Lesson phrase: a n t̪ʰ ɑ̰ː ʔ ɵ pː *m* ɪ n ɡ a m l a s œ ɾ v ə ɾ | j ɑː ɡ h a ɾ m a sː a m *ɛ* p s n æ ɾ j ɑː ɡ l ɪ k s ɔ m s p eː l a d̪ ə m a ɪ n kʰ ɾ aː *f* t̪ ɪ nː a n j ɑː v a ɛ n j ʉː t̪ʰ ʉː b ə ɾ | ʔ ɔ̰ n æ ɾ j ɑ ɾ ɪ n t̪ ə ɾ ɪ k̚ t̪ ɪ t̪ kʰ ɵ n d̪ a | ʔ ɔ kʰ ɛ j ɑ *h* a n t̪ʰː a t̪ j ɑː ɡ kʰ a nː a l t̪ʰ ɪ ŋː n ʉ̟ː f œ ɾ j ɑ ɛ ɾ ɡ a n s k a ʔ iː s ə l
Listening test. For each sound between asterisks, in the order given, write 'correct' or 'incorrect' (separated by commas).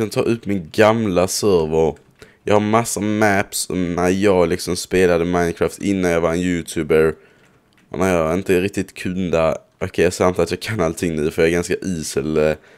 correct, incorrect, correct, incorrect